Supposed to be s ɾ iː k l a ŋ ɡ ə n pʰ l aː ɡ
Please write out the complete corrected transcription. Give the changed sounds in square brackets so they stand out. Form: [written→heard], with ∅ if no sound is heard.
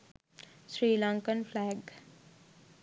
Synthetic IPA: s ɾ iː [k→∅] l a ŋ [ɡ→k] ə n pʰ l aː ɡ